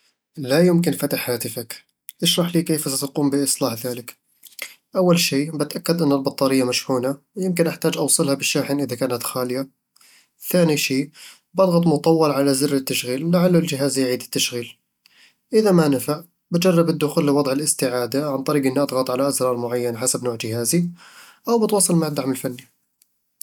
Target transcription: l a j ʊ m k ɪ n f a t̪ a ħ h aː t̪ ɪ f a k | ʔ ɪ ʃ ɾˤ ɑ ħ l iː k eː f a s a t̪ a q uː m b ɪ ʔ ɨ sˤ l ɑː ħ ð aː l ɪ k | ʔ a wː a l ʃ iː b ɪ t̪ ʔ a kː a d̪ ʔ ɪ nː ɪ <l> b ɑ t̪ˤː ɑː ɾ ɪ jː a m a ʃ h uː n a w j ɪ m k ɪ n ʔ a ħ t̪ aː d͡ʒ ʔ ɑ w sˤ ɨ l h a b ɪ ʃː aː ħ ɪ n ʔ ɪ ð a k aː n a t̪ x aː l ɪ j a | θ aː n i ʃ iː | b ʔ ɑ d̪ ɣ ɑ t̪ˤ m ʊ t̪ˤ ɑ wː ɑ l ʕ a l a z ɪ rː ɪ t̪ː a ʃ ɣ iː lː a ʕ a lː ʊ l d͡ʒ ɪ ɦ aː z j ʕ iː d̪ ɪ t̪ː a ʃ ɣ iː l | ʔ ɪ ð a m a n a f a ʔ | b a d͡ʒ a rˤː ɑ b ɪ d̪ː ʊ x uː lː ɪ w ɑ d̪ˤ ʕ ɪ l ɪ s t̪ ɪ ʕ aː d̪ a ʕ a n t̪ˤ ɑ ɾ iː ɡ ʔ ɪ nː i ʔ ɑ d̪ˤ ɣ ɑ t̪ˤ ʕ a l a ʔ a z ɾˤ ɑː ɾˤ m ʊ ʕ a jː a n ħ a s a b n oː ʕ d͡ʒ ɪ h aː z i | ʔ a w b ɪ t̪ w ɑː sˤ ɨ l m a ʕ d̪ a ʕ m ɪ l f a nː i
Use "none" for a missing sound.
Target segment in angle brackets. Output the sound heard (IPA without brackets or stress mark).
l